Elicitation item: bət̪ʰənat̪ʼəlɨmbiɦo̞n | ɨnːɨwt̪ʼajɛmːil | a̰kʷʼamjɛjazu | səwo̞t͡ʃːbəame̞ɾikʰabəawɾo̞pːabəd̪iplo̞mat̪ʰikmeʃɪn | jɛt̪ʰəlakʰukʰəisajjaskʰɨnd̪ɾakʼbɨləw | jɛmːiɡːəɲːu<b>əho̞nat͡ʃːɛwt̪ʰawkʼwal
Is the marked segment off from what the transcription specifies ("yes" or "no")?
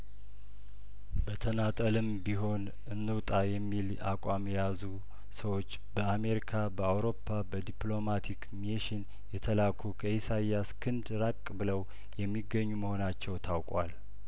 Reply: yes